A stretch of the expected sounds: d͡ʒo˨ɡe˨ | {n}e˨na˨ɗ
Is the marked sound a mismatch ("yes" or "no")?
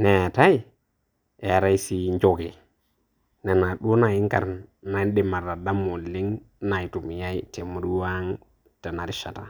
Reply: no